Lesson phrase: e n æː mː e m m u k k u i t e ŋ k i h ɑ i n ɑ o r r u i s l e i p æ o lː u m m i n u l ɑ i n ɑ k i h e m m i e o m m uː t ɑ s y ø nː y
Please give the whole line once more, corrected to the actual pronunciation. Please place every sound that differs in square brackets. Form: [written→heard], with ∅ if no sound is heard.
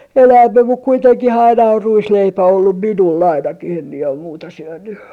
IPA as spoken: e n æː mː e m m u k k u i t e ŋ k i h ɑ i n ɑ o r r u i s l e i p æ o lː u m m i n u l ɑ i n ɑ k i h e m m i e o m m uː t ɑ s y ø nː y